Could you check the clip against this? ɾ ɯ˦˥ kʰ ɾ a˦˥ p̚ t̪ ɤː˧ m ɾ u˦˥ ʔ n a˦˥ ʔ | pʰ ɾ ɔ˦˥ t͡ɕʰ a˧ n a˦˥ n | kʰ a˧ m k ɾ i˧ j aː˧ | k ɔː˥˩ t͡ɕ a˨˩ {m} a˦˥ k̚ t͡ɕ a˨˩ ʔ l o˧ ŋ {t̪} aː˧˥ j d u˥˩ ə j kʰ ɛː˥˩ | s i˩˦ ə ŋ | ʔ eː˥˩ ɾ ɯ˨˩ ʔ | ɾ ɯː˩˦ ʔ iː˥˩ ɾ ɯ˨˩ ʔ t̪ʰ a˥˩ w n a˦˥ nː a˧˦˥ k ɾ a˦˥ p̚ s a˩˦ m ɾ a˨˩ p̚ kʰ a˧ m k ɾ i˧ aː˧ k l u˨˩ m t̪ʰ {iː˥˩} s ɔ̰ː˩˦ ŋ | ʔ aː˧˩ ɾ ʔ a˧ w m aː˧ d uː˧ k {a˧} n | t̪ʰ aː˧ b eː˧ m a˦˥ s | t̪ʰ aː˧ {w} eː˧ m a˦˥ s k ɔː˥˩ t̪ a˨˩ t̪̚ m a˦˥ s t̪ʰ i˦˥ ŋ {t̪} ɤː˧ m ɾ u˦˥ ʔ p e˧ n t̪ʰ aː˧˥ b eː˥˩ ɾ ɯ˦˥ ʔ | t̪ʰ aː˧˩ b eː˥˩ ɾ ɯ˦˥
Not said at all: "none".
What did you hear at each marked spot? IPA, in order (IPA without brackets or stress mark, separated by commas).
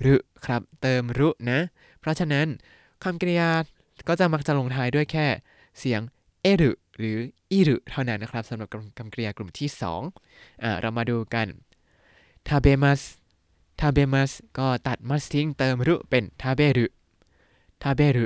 m, t̪ʰ, iː˥˩, a˧, b, t̪